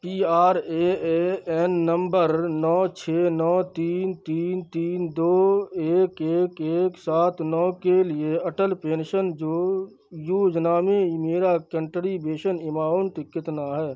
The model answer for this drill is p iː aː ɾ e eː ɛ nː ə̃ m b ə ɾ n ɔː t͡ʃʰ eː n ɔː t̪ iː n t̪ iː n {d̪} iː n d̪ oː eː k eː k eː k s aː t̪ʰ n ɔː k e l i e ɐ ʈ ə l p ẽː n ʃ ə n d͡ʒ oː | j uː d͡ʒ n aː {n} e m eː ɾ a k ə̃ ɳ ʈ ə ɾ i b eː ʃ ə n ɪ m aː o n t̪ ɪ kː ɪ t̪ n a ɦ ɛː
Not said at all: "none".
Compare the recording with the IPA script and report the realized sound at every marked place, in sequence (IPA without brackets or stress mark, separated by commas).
t̪, m